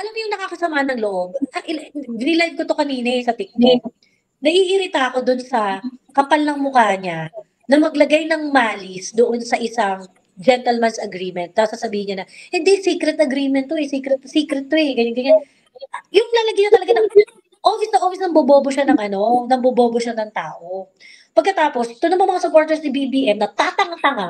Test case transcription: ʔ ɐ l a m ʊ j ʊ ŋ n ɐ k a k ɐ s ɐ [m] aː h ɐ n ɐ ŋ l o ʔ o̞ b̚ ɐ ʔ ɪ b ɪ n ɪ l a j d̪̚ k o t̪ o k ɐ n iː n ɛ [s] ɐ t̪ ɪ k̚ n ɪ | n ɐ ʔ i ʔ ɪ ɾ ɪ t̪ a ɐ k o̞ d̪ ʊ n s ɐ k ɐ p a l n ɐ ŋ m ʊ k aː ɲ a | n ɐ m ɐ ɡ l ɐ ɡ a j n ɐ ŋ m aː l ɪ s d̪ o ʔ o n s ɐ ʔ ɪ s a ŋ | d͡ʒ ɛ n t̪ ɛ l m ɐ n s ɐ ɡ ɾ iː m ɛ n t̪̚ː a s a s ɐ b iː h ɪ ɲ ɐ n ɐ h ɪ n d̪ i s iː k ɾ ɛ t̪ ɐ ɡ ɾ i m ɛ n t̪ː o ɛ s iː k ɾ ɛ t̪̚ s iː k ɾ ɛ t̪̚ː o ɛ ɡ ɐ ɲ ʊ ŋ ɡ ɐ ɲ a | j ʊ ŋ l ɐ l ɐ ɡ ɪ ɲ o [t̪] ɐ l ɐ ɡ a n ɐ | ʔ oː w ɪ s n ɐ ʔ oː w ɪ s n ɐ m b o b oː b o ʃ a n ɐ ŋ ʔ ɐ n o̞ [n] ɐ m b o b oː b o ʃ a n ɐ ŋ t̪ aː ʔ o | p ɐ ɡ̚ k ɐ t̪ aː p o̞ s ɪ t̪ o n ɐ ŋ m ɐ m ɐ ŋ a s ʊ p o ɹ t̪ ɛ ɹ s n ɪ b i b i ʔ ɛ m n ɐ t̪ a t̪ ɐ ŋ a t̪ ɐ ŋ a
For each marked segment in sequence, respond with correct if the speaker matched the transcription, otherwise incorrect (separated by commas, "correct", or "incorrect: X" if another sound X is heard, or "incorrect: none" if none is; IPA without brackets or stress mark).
correct, correct, correct, correct